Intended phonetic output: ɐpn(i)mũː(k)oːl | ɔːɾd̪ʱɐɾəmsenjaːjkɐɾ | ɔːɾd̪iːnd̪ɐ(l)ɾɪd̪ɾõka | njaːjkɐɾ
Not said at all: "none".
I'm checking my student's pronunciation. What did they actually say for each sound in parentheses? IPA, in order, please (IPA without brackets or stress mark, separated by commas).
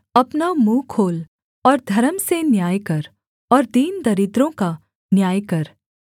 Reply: a, kʰ, none